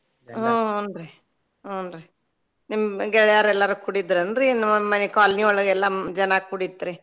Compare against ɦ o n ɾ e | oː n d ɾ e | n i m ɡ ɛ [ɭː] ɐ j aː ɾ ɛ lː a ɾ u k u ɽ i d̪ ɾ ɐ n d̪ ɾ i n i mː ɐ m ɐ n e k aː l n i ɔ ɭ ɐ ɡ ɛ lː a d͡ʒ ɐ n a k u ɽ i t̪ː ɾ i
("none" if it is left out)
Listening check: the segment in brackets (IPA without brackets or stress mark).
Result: ɭ